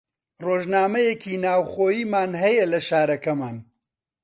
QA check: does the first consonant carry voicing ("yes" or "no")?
yes